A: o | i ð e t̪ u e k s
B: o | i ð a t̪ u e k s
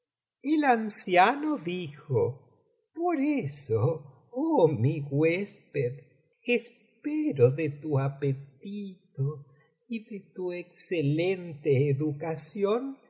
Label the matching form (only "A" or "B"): A